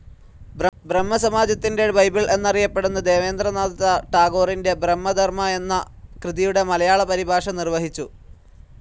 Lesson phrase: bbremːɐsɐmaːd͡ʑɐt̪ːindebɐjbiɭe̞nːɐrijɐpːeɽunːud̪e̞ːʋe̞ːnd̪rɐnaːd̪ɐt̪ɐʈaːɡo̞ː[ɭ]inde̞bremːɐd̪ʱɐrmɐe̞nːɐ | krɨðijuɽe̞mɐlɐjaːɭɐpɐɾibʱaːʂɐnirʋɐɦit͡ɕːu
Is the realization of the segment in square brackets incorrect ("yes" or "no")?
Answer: yes